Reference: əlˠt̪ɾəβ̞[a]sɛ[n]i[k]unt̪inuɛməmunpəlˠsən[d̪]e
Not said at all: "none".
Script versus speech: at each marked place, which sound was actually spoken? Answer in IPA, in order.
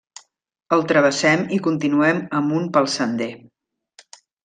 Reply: ə, m, k, d̪

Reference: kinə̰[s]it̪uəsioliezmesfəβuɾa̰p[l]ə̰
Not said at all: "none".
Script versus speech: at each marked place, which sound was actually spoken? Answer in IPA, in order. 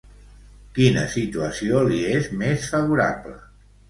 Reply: s, l

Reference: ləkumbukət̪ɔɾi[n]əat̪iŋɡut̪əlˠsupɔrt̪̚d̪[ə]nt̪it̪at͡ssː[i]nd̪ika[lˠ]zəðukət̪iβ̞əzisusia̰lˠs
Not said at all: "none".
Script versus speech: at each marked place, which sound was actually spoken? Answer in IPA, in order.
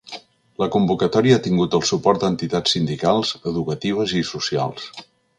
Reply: none, ə, i, lˠ

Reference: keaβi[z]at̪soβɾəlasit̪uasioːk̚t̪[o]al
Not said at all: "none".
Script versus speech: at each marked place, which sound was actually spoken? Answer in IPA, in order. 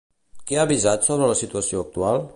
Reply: z, u

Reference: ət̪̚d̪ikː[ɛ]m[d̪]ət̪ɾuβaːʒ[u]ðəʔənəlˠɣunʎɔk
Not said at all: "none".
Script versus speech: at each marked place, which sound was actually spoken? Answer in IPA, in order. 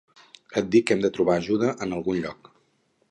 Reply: ɛ, d̪, u

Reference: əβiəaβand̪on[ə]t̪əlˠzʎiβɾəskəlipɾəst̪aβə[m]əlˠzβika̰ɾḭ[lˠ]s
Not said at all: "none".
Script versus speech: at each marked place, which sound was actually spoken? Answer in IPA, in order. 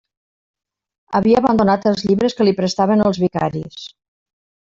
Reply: a, n, none

